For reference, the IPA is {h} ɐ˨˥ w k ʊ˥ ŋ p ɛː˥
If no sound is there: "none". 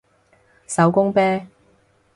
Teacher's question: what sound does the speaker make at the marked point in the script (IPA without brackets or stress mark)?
s